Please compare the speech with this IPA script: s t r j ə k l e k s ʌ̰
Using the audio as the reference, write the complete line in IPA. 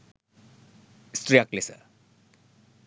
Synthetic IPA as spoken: s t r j a k l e s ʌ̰